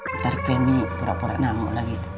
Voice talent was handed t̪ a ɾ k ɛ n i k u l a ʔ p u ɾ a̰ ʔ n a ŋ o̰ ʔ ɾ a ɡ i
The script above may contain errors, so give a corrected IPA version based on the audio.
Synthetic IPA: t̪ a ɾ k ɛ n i p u ɾ a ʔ p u ɾ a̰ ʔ n a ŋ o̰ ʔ l a ɡ i